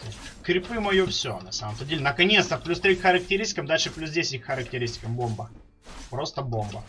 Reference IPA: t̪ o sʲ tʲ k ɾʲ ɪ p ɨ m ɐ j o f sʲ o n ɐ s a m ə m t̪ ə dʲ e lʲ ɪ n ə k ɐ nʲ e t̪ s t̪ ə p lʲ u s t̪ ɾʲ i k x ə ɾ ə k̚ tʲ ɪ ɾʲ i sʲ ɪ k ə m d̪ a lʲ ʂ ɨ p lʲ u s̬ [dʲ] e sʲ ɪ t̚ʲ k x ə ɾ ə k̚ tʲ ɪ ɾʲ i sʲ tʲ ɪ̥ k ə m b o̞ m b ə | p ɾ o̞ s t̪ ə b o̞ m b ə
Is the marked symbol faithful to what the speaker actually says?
yes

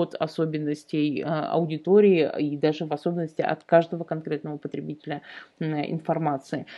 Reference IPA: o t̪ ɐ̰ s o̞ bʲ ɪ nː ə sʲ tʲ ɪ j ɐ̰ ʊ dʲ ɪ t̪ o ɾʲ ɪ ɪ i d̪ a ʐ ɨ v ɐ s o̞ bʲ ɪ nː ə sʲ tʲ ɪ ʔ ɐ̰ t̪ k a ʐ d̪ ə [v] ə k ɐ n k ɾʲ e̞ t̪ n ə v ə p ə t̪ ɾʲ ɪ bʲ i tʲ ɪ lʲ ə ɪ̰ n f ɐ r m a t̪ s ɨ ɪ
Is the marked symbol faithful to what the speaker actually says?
yes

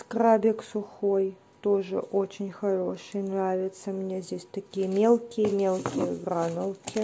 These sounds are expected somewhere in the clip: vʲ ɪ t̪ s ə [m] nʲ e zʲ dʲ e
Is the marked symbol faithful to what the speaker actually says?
yes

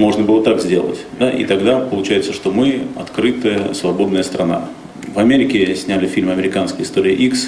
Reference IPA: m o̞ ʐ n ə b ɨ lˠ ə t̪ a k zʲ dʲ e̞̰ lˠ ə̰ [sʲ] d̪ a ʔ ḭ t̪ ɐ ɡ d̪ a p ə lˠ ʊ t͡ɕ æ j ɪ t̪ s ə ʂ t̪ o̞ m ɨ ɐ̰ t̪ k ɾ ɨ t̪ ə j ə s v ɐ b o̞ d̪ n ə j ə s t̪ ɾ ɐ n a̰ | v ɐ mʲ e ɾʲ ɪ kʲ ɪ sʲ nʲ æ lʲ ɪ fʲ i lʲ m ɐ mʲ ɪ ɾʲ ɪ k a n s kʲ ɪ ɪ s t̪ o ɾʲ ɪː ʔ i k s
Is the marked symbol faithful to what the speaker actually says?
no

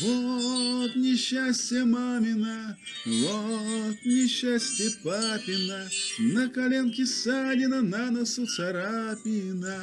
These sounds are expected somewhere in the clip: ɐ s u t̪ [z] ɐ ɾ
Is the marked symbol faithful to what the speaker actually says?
no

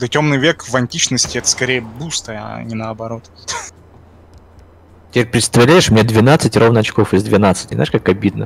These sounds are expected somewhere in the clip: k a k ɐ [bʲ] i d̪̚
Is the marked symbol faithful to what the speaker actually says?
yes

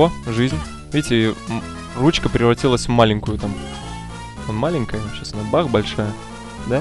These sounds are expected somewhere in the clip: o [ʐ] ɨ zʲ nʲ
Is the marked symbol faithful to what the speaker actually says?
yes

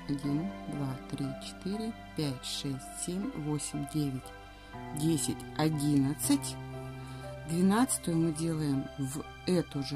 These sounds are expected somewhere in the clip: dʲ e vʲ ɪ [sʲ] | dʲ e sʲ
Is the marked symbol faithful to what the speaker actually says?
no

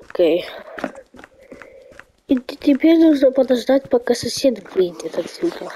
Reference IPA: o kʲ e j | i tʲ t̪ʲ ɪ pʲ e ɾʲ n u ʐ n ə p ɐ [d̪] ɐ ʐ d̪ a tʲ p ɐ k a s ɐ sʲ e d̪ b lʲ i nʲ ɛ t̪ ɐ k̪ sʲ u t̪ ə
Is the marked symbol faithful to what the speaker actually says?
yes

